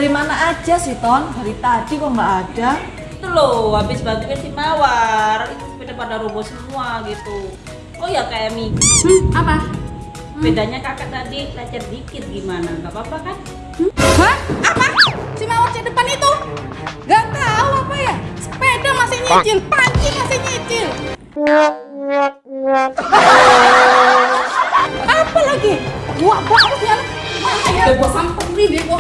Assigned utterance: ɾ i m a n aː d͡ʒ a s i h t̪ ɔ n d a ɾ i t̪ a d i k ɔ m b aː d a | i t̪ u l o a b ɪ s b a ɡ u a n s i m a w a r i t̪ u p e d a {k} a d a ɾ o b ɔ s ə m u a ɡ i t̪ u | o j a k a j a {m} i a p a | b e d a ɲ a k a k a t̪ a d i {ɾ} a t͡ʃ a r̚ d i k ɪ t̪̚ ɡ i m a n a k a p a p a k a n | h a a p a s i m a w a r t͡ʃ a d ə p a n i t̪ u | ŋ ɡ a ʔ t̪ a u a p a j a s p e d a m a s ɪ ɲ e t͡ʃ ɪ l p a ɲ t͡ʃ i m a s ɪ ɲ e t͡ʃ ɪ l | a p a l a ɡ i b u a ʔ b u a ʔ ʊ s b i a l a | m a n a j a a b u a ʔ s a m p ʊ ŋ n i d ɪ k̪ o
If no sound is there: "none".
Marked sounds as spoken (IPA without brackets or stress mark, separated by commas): p, m, l